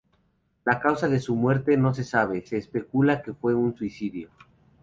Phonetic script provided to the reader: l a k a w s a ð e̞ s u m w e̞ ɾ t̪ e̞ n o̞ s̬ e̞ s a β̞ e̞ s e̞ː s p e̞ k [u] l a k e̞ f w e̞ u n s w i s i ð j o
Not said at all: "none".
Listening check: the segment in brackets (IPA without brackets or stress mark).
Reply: u